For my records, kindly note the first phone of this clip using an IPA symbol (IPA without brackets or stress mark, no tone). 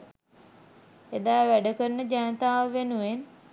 e